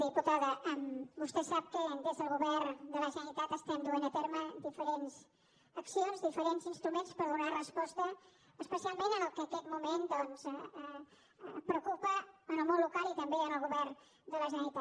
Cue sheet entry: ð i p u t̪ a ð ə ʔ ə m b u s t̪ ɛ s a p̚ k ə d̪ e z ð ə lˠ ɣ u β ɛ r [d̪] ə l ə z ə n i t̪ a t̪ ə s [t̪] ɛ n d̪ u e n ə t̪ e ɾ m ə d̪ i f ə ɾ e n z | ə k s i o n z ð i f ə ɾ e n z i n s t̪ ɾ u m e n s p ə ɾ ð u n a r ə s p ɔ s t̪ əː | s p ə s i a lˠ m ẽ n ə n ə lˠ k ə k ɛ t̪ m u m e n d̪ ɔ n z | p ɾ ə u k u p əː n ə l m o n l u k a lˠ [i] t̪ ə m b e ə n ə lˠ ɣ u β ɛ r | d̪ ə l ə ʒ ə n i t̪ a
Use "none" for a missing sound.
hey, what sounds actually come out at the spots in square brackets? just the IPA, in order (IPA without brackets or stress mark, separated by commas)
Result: d̪, t̪, i